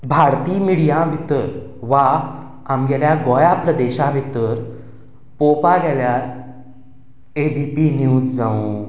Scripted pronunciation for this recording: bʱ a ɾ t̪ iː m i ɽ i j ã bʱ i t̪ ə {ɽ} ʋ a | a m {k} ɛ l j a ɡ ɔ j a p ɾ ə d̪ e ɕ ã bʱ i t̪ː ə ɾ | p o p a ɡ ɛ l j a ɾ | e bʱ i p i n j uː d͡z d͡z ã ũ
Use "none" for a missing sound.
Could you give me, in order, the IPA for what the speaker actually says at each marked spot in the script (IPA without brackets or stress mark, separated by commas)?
ɾ, ɡ